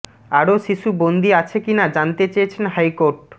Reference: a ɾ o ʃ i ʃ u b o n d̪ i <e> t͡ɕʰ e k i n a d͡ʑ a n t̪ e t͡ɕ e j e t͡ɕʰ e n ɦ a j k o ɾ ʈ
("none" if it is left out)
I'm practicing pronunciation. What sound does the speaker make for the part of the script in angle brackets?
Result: a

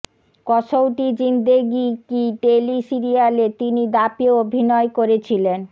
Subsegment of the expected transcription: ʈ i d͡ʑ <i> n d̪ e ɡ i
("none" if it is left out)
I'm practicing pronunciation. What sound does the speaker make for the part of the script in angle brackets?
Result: i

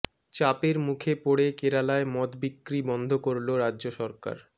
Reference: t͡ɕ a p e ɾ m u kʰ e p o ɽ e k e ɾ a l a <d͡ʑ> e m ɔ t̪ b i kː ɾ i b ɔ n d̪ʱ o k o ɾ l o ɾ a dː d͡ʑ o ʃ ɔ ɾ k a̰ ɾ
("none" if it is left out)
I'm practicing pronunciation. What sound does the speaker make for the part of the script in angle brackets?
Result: none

